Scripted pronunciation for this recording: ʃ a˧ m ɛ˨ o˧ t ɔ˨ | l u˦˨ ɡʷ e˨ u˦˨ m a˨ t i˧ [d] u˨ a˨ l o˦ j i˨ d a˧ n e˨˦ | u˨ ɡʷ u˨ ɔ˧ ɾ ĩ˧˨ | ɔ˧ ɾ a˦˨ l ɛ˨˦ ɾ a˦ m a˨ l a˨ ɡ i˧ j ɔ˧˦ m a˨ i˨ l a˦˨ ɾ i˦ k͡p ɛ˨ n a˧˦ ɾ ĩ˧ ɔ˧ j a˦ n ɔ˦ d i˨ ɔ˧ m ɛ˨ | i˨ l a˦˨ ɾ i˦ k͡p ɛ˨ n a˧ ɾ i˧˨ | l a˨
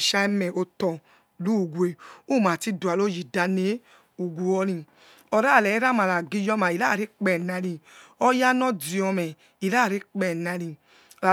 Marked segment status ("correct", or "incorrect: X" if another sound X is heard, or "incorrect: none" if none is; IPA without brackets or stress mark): correct